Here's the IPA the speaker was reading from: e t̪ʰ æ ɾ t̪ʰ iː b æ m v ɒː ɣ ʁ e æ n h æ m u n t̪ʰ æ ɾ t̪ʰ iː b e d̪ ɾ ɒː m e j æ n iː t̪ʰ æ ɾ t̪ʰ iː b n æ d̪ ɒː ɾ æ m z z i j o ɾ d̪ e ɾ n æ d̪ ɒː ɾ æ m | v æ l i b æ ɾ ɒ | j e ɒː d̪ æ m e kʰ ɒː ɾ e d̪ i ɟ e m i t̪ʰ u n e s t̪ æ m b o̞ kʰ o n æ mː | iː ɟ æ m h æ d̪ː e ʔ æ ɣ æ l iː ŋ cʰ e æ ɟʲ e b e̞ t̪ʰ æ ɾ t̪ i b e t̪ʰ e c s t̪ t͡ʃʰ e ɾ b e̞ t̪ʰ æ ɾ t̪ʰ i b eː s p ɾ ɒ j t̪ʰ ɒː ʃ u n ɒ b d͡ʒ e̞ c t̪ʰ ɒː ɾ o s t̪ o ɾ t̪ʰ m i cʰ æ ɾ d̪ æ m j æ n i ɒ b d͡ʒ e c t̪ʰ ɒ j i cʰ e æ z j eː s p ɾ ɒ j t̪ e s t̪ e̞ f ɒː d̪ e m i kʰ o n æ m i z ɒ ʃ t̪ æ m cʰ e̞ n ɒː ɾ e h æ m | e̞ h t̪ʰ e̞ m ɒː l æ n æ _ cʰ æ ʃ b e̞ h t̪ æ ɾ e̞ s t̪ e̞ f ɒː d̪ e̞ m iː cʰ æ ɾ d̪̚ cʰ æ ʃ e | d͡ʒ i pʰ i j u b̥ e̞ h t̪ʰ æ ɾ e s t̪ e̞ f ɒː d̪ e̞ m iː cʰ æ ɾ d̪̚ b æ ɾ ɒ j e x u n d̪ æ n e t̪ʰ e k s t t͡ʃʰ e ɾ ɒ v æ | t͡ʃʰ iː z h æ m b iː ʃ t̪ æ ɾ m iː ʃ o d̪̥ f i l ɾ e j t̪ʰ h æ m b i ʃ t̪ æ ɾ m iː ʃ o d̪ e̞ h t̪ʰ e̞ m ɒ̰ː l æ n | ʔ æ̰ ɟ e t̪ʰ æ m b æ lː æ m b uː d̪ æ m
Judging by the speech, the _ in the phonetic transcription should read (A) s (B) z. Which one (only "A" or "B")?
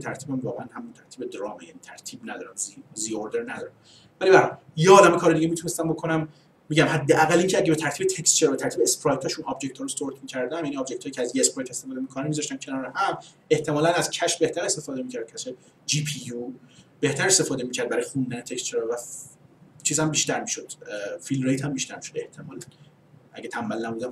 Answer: B